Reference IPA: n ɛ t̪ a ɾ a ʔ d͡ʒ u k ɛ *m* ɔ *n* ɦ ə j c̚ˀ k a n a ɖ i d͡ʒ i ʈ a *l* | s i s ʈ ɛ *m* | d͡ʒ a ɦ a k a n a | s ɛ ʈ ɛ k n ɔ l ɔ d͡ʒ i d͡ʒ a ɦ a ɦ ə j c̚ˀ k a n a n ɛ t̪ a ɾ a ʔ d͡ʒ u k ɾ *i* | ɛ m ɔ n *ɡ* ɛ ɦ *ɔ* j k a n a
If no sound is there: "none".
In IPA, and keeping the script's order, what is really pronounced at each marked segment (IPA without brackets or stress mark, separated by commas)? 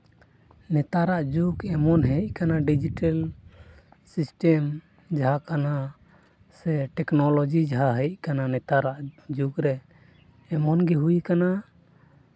m, n, l, m, ɛ, ɡ, u